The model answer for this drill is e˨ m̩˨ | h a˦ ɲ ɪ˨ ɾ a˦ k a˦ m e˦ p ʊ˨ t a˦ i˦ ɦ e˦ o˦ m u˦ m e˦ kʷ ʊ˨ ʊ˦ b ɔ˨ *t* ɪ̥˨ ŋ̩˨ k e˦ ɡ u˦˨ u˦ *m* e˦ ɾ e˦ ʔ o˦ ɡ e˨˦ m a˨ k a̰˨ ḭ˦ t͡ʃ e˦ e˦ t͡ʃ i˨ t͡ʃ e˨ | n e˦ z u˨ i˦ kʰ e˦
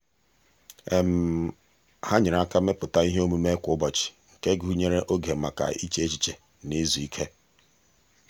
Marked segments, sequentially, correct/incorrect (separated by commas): incorrect, incorrect